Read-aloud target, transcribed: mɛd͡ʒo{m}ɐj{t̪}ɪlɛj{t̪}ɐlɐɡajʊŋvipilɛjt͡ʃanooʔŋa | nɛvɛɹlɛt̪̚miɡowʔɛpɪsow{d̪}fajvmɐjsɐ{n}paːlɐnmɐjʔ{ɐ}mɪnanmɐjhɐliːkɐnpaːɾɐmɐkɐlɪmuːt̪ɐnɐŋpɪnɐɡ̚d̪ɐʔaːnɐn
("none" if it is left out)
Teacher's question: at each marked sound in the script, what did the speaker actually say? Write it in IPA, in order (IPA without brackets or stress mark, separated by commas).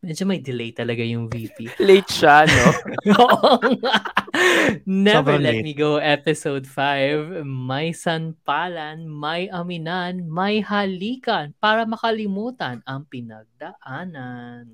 m, d̪, t̪, d̪, n, ɐ